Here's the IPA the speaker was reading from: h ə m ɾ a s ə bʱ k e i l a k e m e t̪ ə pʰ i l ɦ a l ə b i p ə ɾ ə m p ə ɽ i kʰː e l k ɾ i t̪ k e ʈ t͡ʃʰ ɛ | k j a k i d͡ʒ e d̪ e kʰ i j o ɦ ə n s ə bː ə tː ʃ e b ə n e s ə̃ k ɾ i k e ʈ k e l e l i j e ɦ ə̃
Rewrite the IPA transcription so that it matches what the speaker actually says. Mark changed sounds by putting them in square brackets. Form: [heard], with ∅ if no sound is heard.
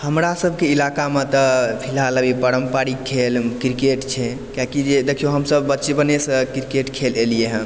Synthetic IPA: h ə m ɾ a s ə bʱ k e i l a k [a] m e t̪ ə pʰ i l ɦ a l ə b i p ə ɾ ə m p [a] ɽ i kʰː e l k ɾ i [∅] k e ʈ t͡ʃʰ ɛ | k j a k i d͡ʒ e d̪ e kʰ i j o ɦ ə [m] s ə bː ə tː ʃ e b ə n e s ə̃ k ɾ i k e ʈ [kʰ] e l e l i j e ɦ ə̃